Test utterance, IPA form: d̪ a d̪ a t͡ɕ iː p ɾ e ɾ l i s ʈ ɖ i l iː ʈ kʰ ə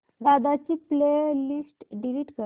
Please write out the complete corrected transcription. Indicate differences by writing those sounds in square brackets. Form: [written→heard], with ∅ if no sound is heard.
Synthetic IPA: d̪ a d̪ a t͡ɕ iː p [ɾ→l] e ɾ l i s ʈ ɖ i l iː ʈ [kʰ→k] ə